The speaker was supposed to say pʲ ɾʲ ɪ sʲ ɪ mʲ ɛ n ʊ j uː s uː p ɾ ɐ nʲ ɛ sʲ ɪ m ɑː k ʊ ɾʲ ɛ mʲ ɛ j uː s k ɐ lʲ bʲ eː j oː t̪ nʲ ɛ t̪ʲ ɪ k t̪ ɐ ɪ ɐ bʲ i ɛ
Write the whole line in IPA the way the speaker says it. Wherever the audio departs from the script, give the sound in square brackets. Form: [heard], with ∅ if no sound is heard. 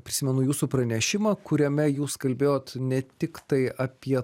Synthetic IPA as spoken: pʲ ɾʲ ɪ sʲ ɪ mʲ ɛ n ʊ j uː s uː p ɾ ɐ nʲ ɛ [ʃʲ] ɪ m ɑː k ʊ ɾʲ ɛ mʲ ɛ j uː s k ɐ lʲ bʲ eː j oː t̪ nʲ ɛ t̪ʲ ɪ k t̪ ɐ ɪ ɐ [pʲ] i ɛ